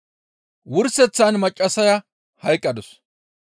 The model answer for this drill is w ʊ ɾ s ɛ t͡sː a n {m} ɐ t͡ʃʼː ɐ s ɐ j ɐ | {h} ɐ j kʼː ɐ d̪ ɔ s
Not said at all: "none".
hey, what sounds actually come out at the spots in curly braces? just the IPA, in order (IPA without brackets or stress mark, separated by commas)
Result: m, h